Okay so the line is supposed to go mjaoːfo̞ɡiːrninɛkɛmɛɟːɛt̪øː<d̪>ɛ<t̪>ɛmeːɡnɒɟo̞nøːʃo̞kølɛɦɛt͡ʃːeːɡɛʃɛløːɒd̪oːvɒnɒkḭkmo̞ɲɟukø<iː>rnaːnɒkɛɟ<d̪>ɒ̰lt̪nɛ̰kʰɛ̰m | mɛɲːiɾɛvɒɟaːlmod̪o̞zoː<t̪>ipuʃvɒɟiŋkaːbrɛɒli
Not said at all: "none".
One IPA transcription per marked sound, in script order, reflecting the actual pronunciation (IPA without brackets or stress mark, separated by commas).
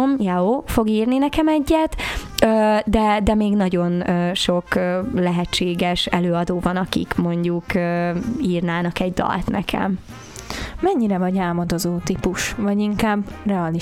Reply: d̪, d̪, iː, d̪, t̪